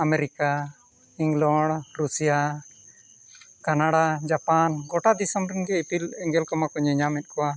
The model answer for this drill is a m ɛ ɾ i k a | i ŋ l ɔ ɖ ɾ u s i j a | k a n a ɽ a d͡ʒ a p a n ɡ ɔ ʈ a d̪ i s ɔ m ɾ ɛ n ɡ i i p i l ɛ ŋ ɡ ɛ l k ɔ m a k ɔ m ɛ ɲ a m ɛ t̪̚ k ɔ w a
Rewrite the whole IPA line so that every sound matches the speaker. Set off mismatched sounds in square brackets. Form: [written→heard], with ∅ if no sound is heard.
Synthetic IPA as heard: a m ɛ ɾ i k a | i ŋ l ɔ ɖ ɾ u s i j a | k a n a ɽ a d͡ʒ a p a n ɡ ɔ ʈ a d̪ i s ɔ m ɾ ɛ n ɡ [i→ɛ] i p i l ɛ ŋ ɡ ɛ l k ɔ m a k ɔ [m→ɲ] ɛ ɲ a m ɛ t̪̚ k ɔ w a